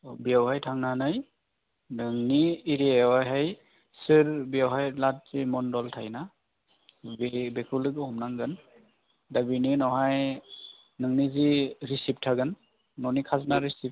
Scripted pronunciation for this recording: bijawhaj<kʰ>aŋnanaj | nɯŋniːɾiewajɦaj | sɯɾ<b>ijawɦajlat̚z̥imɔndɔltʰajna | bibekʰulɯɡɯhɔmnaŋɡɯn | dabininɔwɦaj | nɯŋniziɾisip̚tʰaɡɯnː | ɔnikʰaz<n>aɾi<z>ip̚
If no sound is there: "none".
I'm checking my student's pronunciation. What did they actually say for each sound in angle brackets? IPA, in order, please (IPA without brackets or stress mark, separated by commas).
tʰ, b, n, s